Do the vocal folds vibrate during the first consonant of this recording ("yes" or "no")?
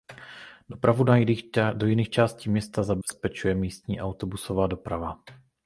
yes